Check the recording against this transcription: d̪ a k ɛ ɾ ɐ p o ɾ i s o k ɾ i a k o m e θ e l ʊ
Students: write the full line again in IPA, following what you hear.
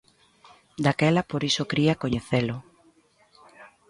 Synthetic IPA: d̪ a k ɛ l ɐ p o ɾ i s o k ɾ i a k o ɲ e θ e l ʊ